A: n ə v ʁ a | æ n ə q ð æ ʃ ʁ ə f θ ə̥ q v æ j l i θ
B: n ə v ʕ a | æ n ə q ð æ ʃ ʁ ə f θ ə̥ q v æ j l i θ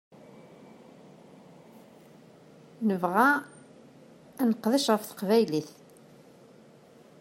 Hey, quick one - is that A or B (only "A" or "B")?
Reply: A